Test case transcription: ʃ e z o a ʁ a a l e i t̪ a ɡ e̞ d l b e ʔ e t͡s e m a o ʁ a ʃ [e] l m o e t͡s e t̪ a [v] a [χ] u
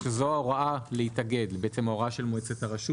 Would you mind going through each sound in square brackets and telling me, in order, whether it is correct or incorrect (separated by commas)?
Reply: correct, incorrect, incorrect